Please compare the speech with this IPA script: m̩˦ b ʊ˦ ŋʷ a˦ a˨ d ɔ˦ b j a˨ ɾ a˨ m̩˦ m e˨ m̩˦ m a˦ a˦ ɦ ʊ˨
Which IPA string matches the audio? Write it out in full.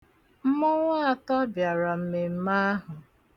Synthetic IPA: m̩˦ m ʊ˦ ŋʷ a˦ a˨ t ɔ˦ b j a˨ ɾ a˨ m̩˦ m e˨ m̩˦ m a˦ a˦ ɦ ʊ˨